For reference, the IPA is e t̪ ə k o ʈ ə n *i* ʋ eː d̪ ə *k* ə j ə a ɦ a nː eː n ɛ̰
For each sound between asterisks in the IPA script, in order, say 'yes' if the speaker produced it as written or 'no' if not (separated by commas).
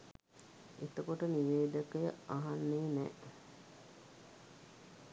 yes, yes